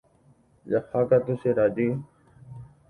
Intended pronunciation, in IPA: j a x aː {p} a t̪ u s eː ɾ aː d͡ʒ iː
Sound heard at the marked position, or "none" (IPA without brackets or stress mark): k